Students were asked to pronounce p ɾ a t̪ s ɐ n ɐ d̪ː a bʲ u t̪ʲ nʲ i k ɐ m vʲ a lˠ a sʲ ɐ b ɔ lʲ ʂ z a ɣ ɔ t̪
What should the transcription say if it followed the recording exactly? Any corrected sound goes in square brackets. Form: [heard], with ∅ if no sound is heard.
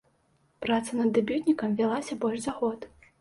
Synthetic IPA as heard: p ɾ a t̪ s ɐ n ɐ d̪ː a bʲ u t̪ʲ nʲ i k ɐ m vʲ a lˠ a sʲ ɐ b ɔ lʲ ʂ z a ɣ ɔ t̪